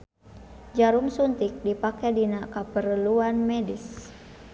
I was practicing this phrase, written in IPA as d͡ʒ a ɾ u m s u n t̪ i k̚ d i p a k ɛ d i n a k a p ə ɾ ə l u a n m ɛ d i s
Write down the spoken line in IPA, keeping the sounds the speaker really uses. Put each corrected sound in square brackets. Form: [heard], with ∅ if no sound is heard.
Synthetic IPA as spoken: d͡ʒ a ɾ u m s u n t̪ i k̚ d i p a k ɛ d i n a k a p ə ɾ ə l u a n m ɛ d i s